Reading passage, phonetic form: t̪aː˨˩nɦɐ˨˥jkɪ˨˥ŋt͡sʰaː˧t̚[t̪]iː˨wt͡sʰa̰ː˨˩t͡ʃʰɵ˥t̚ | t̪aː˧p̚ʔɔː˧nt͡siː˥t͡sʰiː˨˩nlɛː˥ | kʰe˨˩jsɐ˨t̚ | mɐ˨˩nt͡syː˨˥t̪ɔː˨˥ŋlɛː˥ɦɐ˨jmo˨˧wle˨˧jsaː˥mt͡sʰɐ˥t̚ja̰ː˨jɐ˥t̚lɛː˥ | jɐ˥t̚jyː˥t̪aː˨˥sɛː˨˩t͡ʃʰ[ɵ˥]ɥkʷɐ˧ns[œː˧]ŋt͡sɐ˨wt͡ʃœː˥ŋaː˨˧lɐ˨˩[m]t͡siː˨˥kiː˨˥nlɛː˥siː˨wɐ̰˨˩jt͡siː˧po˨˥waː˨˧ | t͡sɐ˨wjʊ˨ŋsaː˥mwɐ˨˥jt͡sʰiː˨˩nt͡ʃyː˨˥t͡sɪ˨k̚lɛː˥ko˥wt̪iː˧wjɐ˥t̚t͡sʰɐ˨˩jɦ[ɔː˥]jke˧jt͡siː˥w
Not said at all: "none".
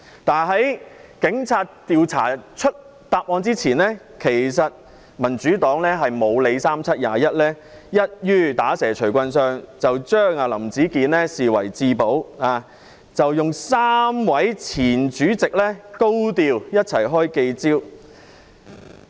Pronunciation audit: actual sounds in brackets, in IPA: t̪, ɵ˨˩, œː˧, m, ɔː˥

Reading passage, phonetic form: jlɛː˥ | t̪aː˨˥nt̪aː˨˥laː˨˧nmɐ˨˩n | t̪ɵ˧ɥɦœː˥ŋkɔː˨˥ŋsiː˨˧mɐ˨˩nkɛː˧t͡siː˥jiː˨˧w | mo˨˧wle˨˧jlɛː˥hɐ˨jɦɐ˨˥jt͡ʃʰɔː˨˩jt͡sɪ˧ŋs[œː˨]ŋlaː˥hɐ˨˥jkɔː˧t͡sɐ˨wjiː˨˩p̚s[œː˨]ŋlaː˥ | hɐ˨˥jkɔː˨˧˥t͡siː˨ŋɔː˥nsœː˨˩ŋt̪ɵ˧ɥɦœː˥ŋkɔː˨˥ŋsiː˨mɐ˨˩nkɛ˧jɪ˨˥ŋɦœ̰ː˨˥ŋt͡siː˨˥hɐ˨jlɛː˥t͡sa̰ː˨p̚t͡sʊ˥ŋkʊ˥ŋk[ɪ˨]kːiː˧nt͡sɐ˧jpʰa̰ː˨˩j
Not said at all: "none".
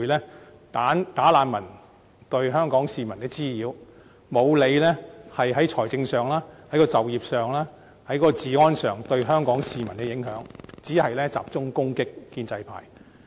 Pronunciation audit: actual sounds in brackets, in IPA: œː˨, œː˨, ɪ˥

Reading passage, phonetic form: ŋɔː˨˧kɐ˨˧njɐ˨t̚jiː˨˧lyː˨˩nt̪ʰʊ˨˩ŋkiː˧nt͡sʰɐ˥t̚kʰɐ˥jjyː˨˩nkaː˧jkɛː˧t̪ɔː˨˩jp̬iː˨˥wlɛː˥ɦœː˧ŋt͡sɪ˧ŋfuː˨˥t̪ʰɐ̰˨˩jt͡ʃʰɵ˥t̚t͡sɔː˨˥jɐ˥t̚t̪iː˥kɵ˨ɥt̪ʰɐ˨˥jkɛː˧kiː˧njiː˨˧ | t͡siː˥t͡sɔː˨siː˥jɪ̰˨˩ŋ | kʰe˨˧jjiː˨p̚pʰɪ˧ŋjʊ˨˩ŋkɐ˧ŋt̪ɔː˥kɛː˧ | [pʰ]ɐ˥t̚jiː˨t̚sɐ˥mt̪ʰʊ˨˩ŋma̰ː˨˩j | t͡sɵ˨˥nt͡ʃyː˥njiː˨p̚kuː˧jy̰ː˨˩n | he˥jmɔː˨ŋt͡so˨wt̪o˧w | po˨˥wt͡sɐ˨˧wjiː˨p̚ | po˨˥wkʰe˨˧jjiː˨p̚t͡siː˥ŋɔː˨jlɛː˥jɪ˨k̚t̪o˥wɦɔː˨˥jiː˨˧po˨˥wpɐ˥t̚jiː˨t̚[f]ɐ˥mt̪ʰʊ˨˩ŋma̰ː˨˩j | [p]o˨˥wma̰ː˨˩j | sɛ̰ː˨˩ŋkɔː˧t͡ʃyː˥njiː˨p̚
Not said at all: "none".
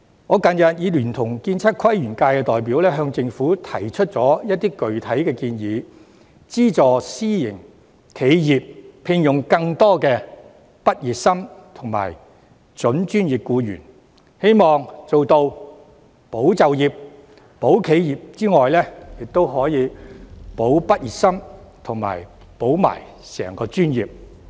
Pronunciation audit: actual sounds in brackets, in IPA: p, s, p

